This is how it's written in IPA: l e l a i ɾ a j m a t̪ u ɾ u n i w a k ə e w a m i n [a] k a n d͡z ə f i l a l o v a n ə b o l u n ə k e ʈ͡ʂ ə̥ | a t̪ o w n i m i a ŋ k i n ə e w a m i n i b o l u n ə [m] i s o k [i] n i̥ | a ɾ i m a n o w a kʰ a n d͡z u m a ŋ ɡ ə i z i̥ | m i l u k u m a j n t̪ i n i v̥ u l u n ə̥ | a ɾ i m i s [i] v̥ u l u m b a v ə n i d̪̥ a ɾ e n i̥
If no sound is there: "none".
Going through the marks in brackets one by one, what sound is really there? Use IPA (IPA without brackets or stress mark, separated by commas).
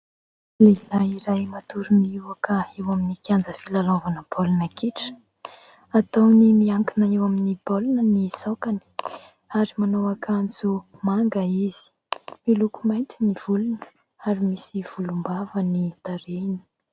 i, n, a, i